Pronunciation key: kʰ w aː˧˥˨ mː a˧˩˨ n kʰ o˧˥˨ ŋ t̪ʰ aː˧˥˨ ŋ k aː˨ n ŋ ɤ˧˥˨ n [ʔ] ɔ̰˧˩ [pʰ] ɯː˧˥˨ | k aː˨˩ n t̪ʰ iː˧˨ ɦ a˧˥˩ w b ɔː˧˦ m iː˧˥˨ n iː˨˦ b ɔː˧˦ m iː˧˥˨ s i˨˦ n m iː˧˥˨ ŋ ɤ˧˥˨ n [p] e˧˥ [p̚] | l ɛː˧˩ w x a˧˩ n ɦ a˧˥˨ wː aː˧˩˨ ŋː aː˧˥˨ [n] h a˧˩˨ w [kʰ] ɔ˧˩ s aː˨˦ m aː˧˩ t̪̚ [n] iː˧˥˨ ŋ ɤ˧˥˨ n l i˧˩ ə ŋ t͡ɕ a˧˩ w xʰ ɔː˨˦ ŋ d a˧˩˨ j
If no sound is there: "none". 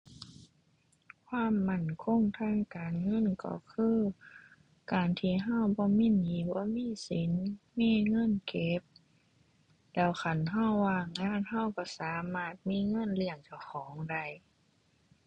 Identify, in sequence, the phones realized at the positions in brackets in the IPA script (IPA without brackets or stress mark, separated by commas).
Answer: k, kʰ, k, p̚, n, k, m